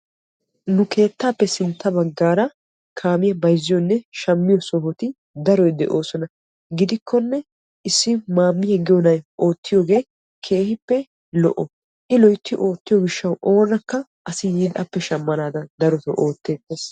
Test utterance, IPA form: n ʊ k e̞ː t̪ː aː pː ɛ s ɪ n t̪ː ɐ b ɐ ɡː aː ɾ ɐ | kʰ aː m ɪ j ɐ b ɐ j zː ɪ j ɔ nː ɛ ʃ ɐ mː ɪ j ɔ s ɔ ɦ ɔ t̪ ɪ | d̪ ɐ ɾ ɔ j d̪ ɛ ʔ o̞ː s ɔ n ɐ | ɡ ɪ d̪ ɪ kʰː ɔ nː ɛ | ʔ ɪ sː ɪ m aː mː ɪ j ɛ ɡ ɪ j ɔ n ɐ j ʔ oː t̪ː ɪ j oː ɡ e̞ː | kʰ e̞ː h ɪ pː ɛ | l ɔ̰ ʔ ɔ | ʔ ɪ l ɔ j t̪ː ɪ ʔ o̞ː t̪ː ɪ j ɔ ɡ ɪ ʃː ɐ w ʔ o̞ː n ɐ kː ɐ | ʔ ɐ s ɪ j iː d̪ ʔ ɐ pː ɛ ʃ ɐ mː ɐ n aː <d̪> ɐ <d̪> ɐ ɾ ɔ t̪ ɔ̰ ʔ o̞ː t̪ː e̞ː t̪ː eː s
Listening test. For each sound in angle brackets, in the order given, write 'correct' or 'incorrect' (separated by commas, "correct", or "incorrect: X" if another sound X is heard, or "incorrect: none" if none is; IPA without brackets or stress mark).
correct, correct